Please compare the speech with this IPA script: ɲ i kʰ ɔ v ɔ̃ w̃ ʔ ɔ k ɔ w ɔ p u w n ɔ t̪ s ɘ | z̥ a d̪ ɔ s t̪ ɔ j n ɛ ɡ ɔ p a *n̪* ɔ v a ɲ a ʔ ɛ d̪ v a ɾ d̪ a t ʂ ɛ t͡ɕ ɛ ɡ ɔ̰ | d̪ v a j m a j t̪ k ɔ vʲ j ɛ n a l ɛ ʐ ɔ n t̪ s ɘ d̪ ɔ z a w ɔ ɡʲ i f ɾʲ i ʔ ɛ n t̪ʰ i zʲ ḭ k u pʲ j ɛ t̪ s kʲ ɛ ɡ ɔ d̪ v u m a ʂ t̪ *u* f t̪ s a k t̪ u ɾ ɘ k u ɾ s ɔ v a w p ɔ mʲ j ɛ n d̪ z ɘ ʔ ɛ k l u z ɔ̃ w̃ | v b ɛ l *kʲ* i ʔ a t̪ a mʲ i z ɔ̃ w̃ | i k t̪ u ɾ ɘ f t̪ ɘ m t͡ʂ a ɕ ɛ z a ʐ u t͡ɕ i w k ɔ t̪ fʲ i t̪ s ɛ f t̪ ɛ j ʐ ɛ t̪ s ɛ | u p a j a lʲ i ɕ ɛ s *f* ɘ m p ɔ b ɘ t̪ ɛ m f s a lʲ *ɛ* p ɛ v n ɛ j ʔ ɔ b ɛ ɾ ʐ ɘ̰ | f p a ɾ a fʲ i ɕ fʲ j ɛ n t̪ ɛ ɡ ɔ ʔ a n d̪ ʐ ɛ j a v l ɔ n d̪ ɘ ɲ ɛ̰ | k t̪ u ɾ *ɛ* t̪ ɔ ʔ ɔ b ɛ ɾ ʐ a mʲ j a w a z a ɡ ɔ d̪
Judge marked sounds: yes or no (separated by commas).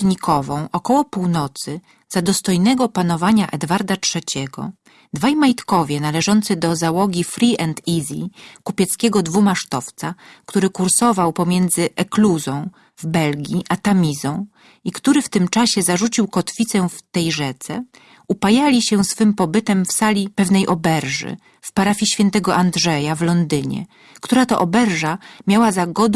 yes, no, no, yes, no, no